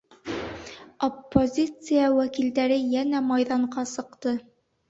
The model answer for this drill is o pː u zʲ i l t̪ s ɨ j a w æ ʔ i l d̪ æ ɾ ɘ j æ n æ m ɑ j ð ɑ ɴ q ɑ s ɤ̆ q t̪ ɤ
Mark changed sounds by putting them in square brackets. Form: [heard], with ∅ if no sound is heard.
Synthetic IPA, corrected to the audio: o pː [o] zʲ i [∅] t̪ s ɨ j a w æ [k] i l d̪ æ ɾ ɘ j æ n æ m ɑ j ð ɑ ɴ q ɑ s ɤ̆ q t̪ ɤ